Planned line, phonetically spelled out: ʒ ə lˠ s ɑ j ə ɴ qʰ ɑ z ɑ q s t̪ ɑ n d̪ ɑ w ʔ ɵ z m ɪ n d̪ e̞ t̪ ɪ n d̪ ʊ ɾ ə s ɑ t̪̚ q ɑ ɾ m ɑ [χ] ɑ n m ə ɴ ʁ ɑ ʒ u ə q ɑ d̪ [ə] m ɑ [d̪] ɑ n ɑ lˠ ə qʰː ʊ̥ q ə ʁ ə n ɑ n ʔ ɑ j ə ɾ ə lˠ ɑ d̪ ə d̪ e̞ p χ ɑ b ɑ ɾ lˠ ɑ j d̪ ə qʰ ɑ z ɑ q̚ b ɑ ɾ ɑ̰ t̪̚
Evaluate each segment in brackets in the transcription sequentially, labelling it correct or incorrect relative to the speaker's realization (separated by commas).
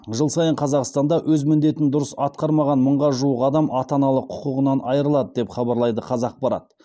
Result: incorrect, incorrect, incorrect